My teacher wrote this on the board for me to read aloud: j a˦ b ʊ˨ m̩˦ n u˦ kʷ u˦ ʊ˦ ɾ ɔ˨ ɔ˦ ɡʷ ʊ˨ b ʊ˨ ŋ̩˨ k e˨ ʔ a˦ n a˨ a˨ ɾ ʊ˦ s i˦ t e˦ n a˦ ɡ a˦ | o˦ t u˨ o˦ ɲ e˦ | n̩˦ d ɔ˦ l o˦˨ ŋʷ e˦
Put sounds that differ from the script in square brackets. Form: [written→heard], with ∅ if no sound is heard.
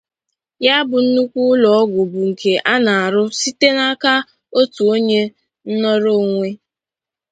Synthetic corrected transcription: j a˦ b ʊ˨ [m̩˦→n̩˦] n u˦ kʷ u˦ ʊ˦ [ɾ→l] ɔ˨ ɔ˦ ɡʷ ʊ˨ b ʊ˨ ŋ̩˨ k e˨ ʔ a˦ n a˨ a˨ ɾ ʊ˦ s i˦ t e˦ n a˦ [ɡ→k] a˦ | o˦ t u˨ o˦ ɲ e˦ | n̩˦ [d→n] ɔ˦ [l→ɾ] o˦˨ ŋʷ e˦